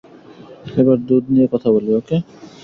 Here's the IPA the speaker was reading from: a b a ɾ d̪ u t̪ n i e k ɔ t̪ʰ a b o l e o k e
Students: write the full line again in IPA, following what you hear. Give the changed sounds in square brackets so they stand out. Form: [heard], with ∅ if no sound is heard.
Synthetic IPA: [e] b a ɾ d̪ u [d̪] n i e k ɔ t̪ʰ a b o l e o k e

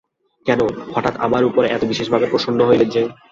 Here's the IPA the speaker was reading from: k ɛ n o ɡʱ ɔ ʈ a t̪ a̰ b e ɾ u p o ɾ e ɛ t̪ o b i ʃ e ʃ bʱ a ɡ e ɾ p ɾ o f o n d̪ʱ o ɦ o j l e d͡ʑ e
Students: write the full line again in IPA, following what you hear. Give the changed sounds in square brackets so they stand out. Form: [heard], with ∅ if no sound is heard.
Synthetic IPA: k ɛ n o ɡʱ ɔ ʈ a t̪ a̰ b [a] ɾ u p o ɾ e ɛ t̪ o b i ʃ e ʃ bʱ a [b] e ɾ p ɾ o [ʃ] o n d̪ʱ o ɦ o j l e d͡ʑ e

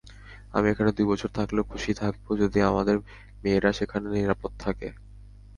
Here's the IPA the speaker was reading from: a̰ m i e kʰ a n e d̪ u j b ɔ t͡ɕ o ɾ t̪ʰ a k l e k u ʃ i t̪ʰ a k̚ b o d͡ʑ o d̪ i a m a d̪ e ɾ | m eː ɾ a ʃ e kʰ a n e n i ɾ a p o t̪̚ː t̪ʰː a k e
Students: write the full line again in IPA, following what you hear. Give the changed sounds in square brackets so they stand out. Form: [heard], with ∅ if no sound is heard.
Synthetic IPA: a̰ m i e kʰ a n e d̪ u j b ɔ [t͡ɕʰ] o ɾ t̪ʰ a k l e [kʰ] u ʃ i t̪ʰ a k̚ b o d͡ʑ o d̪ i a m a d̪ e ɾ | m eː ɾ a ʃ e kʰ a n e n i ɾ a p o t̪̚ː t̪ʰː a k e

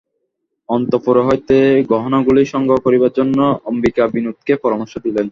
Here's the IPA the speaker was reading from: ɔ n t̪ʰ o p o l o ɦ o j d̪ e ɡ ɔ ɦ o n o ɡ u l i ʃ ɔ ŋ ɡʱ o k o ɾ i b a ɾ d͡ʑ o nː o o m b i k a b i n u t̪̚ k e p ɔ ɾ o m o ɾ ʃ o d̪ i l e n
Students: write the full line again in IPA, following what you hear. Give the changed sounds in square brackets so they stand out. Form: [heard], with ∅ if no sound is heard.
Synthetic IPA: ɔ n [t̪] o p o [ɾ] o ɦ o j [t̪] e ɡ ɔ ɦ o n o ɡ u l i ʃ ɔ ŋ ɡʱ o k o ɾ i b a ɾ d͡ʑ o nː o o m b i k a b i n u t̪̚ k e p ɔ ɾ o m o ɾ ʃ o d̪ i l e n

